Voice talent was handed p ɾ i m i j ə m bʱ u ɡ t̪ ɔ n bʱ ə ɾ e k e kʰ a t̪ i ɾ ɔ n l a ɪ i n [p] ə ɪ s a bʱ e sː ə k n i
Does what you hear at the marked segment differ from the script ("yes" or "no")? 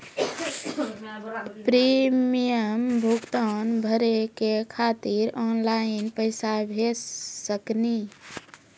no